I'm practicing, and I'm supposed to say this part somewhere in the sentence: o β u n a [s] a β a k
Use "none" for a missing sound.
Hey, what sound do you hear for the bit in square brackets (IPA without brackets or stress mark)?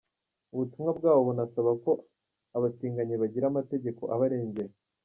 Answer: s